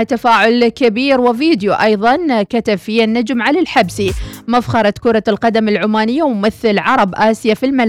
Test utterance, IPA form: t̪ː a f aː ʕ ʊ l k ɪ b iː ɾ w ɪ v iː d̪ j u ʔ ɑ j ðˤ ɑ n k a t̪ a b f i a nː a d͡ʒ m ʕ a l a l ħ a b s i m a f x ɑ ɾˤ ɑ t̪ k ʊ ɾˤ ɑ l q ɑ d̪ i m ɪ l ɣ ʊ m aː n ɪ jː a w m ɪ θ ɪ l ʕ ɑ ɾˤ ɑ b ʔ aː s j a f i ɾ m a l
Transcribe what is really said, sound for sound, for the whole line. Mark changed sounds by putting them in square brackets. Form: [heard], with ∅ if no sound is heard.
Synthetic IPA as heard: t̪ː a f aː ʕ ʊ l k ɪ b iː ɾ w ɪ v iː d̪ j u ʔ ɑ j ðˤ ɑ n k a t̪ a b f i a nː a d͡ʒ m ʕ a l a l ħ a b s i m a f x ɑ ɾˤ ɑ t̪ k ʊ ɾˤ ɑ l q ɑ d̪ [a] m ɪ l [ʕ] ʊ m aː n ɪ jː a w m ɪ θ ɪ l ʕ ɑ ɾˤ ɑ b ʔ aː s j a f i [l] m a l